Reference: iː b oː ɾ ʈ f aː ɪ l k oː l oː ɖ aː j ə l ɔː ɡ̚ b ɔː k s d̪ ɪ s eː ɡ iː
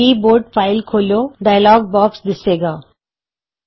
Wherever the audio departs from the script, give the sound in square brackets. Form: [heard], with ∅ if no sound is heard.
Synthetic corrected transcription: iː b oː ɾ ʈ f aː ɪ l [kʰ] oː l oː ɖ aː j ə l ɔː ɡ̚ b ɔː k s d̪ ɪ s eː ɡ [aː]